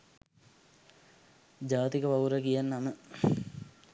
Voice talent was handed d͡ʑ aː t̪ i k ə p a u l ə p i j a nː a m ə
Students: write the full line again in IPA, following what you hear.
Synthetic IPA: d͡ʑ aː t̪ i k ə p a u ɾ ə k i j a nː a m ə